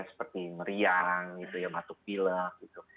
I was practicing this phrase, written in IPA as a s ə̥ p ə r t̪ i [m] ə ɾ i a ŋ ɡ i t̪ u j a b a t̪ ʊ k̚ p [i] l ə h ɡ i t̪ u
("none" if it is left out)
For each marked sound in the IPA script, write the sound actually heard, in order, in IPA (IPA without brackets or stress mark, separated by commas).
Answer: m, i